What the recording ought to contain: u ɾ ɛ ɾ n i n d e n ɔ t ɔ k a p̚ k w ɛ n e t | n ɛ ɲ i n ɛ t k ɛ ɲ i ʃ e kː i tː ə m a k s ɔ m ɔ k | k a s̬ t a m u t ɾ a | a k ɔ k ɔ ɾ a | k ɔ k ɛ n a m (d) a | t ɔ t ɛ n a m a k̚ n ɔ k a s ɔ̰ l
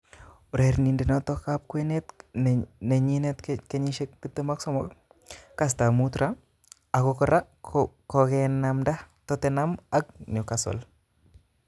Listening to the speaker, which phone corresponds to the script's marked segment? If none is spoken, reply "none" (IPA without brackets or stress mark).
d